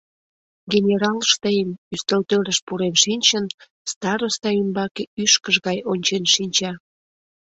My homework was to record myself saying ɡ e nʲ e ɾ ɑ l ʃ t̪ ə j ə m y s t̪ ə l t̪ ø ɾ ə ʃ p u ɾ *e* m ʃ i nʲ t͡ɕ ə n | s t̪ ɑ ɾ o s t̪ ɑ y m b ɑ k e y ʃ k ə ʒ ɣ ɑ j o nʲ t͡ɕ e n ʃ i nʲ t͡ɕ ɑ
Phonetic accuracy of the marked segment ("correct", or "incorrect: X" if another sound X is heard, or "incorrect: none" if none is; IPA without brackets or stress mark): correct